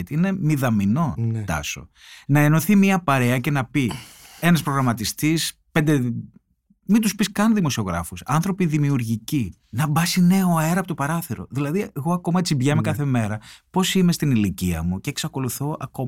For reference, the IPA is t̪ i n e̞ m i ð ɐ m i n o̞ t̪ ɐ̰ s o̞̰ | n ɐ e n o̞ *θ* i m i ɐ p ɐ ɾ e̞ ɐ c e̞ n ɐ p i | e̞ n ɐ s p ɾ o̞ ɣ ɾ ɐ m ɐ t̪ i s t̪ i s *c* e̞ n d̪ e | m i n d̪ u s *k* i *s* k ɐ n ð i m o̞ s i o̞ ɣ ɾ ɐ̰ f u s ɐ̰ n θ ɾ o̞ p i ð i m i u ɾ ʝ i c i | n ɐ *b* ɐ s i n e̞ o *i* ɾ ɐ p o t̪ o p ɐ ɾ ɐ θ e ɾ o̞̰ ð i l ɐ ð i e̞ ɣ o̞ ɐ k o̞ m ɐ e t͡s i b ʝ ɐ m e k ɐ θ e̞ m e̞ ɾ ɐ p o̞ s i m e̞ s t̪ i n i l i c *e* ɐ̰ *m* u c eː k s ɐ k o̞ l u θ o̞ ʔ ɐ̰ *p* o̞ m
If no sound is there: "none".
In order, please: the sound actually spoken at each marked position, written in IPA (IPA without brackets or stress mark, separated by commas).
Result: θ, p, p, s, b, e, i, m, k